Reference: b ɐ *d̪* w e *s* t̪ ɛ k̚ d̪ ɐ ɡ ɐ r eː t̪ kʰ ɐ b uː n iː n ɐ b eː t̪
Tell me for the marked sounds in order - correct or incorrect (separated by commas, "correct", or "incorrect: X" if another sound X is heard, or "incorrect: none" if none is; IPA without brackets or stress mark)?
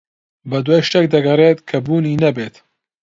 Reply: correct, incorrect: ʃ